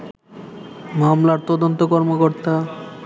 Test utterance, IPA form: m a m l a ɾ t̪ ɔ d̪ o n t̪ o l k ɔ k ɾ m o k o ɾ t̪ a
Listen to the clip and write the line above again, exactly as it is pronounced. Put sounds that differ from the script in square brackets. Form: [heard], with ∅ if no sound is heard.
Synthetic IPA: m a m l a ɾ t̪ ɔ d̪ o n t̪ o [∅] k ɔ [∅] ɾ m o k o ɾ t̪ a

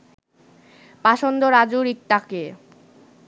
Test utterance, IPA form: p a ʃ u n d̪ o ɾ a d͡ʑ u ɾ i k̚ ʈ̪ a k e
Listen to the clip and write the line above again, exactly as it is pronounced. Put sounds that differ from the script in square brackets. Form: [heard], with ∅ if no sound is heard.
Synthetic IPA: p a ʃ [o] n d̪ o ɾ a d͡ʑ u ɾ i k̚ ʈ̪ a k e

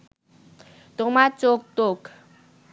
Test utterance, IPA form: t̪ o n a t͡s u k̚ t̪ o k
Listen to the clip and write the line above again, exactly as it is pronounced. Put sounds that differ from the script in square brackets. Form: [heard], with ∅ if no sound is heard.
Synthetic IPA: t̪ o [m] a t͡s [o] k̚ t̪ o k

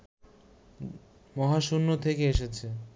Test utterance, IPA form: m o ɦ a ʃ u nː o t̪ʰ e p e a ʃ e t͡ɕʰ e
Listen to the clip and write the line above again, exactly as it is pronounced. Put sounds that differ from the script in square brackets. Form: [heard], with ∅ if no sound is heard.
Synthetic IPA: m [ɔ] ɦ a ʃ u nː o t̪ʰ e [k] e [e] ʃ e t͡ɕʰ e

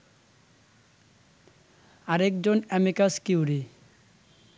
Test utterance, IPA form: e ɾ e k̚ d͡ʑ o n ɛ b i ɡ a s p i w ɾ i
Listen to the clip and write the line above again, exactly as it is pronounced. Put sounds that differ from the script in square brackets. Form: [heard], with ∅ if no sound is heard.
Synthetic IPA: [a] ɾ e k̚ d͡ʑ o n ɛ [m] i [k] a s [k] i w ɾ i

